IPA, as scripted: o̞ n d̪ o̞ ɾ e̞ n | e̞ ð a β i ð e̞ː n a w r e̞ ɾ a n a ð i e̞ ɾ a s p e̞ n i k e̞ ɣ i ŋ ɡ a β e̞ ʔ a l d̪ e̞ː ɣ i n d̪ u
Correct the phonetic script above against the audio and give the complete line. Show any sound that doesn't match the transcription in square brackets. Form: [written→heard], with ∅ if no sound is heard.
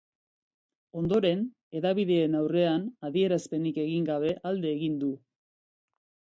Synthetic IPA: o̞ n d̪ o̞ ɾ e̞ n | e̞ ð a β i ð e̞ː n a w r e̞ [ɾ→∅] a n a ð i e̞ ɾ a s p e̞ n i k e̞ ɣ i ŋ ɡ a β e̞ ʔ a l d̪ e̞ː ɣ i n d̪ u

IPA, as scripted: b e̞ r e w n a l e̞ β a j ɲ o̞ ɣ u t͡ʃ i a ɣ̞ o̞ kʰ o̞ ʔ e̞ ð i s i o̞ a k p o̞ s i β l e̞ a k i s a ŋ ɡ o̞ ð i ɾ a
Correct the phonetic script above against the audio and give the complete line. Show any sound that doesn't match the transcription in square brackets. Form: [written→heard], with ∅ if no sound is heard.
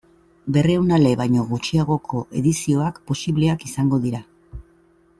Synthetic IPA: b e̞ r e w n a l e̞ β a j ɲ o̞ ɣ u t͡ʃ i a ɣ̞ o̞ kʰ o̞ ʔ e̞ ð i s i o̞ a k p o̞ s i β l e̞ a k i s a ŋ ɡ o̞ ð i ɾ a

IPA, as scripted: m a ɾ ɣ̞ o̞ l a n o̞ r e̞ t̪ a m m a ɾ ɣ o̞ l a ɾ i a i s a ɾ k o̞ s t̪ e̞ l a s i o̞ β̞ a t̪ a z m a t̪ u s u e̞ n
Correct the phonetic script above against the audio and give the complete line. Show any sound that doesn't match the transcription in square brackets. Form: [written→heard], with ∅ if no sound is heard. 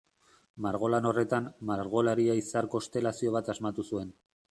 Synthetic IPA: m a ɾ ɣ̞ o̞ l a n o̞ r e̞ t̪ a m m a ɾ ɣ o̞ l a ɾ i a i s a ɾ k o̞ s t̪ e̞ l a s i o̞ β̞ a t̪ a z m a t̪ u s u e̞ n

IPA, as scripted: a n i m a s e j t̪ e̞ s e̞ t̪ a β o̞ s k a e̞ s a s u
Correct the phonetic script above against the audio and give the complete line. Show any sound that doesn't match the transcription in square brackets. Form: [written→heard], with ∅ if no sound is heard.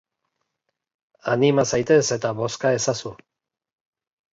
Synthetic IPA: a n i m a s [e→a] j t̪ e̞ s e̞ t̪ a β o̞ s k a e̞ s a s u

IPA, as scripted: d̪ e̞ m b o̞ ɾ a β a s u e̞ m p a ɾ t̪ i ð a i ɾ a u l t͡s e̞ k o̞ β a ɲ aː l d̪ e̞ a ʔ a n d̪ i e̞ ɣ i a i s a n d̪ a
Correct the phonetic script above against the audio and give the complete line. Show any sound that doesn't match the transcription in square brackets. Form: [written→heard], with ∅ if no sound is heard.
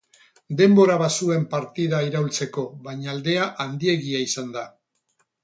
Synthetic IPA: d̪ e̞ m b o̞ ɾ a β a s u e̞ m p a ɾ t̪ i ð a i ɾ a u l t͡s e̞ k o̞ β a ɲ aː l d̪ e̞ a ʔ a n d̪ i e̞ ɣ i a i s a n d̪ a

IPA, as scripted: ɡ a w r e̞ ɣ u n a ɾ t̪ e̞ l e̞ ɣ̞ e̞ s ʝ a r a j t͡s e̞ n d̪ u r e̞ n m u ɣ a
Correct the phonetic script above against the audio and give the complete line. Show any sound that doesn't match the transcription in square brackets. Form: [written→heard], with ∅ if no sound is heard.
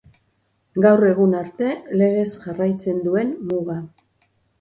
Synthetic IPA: ɡ a w r e̞ ɣ u n a ɾ t̪ e̞ l e̞ ɣ̞ e̞ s ʝ a r a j t͡s e̞ n d̪ u [r→∅] e̞ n m u ɣ a

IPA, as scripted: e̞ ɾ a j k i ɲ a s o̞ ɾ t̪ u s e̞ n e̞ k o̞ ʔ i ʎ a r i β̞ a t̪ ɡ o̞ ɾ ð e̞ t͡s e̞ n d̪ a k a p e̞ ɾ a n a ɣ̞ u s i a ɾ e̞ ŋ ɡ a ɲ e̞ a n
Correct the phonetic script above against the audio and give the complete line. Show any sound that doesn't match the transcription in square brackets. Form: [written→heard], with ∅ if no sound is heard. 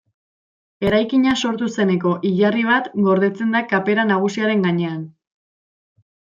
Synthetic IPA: e̞ ɾ a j k i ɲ a s o̞ ɾ t̪ u s e̞ n e̞ k o̞ ʔ i ʎ a r i β̞ a t̪ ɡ o̞ ɾ ð e̞ t͡s e̞ n d̪ a k a p e̞ ɾ a n a ɣ̞ u s i a ɾ e̞ ŋ ɡ a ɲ e̞ a n

